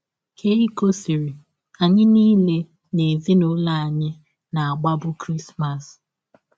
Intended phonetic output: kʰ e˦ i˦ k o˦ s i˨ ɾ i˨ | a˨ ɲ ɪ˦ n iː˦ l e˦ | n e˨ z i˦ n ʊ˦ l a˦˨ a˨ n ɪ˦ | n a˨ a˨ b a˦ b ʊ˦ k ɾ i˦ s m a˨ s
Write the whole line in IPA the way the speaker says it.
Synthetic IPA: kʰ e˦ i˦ k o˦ s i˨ ɾ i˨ | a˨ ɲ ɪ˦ n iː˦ l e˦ | n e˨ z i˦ n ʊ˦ l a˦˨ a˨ ɲ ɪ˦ | n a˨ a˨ ɡ͡b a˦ b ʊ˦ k ɾ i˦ s m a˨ s

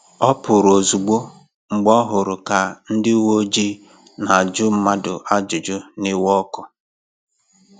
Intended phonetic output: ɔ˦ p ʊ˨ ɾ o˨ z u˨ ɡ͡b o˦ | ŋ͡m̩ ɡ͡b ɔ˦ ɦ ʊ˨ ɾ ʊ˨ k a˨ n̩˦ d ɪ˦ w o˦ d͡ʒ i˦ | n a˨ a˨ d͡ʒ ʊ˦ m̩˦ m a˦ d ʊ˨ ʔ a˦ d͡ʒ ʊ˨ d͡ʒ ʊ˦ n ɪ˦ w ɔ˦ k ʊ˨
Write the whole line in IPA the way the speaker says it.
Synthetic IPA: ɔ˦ p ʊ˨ ɾ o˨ z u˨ ɡ͡b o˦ | ŋ͡m̩ ɡ͡b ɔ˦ ɦ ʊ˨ ɾ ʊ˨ k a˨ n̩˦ d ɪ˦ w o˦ d͡ʒ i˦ | n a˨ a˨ d͡ʒ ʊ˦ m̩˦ m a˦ d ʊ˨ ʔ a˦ d͡ʒ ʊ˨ d͡ʒ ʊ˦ n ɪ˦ w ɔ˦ k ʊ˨

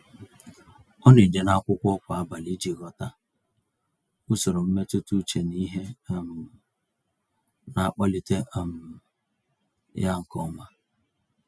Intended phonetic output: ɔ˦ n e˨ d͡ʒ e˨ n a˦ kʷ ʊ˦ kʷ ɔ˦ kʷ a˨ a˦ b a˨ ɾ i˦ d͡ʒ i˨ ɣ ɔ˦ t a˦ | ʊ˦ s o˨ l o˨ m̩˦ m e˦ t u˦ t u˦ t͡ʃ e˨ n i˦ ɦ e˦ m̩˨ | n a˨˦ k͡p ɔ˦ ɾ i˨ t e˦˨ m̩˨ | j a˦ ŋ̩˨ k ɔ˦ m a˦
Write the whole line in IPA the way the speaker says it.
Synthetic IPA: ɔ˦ n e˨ d͡ʒ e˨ n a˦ kʷ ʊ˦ kʷ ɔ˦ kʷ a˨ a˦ b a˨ l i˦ d͡ʒ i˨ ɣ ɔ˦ t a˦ | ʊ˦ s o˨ ɾ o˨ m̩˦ m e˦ t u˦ t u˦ t͡ʃ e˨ n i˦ ɦ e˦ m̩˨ | n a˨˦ k͡p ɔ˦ l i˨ t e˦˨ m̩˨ | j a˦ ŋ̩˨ k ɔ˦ m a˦

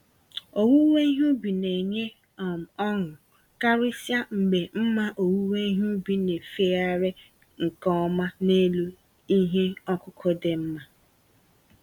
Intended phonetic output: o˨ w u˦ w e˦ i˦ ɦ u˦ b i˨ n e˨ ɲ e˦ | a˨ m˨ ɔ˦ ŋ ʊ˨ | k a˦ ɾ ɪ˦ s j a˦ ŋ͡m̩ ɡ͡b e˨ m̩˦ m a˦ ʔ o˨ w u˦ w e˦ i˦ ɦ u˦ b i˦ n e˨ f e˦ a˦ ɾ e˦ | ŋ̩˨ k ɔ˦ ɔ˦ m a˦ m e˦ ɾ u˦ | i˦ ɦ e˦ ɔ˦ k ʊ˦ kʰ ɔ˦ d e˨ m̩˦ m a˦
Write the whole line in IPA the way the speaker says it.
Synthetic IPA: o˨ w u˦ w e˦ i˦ ɦ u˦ b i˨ n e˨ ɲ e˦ | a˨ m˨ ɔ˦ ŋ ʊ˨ | k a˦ ɾ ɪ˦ s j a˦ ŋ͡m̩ ɡ͡b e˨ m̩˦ m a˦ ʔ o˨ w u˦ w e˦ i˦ ɦ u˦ b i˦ n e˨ f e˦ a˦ ɾ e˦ | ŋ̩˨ k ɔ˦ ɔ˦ m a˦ n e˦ l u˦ | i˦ ɦ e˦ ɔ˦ k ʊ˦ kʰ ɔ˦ d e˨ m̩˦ m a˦

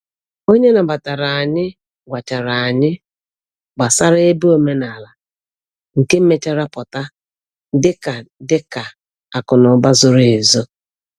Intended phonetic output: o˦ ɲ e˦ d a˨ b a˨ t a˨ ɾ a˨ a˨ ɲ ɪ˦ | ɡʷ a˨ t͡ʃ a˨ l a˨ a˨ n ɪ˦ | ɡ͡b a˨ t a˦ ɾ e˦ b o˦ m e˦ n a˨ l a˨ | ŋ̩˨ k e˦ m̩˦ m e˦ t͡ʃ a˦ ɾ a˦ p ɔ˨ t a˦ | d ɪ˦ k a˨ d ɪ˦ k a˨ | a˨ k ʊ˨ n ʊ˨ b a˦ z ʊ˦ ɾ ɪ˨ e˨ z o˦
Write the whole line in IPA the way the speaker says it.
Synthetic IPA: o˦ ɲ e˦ n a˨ b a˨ t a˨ ɾ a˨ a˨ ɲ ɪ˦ | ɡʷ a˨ t͡ʃ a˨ ɾ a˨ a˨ ɲ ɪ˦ | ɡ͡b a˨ s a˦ ɾ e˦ b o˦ m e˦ n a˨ l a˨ | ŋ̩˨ k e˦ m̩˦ m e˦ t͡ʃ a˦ ɾ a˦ p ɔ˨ t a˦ | d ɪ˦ k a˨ d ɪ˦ k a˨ | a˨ k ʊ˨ n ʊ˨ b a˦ z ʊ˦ ɾ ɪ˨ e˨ z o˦

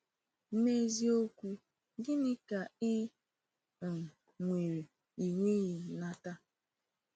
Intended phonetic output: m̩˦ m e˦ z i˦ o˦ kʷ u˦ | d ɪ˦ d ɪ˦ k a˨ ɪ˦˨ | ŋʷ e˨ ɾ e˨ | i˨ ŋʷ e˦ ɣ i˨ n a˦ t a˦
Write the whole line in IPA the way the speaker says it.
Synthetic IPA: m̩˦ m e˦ z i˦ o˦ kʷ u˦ | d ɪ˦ n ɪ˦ k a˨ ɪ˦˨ | ŋʷ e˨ ɾ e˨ | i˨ ŋʷ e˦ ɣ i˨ n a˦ t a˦

